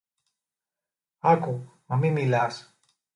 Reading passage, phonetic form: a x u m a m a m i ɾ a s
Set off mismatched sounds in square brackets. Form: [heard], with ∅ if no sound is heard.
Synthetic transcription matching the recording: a [k] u m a m [i] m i [l] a s